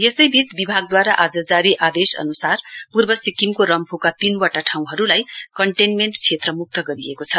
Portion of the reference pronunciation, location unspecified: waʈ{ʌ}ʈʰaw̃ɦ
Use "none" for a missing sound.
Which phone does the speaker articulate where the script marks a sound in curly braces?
a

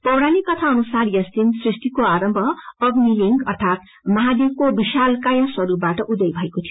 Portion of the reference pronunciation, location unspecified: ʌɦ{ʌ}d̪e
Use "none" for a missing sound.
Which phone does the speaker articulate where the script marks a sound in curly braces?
a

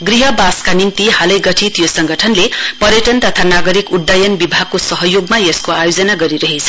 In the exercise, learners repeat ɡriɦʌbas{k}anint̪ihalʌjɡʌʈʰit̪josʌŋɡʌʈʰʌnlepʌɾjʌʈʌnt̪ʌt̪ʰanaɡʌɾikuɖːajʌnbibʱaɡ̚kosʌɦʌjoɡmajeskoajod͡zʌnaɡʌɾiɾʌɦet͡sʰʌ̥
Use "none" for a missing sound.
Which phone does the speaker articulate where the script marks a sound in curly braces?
k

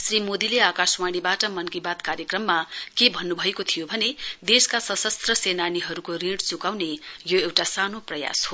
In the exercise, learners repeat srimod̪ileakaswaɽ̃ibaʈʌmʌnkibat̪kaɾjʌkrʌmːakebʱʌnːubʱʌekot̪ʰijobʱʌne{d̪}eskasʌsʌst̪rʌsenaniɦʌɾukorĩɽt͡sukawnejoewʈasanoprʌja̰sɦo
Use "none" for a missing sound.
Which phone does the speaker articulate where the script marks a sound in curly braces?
d̪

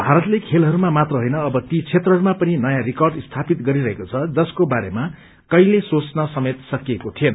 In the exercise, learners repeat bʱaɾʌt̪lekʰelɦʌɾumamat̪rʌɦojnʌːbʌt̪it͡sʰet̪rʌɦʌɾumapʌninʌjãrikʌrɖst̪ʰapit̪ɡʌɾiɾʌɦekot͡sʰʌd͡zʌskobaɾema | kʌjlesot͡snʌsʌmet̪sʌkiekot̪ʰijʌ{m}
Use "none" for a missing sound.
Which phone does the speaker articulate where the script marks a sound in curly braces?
n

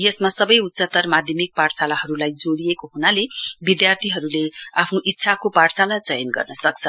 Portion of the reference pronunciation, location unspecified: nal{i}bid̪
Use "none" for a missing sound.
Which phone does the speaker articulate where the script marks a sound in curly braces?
e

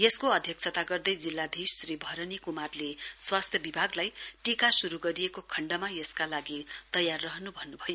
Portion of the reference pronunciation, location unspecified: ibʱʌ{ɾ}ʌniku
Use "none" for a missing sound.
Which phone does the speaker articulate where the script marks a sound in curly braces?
ɾ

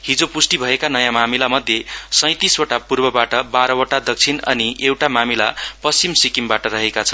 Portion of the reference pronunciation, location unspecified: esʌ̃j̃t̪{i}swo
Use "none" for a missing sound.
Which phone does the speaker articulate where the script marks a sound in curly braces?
i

